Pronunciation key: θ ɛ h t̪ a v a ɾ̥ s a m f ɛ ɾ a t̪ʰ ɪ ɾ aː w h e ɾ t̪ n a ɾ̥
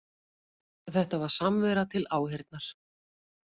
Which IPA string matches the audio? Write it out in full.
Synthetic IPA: θ ɛ h t̪ a v a ɾ̥ s a m v ɛ ɾ a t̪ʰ ɪ l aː w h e ɾ t̪ n a ɾ̥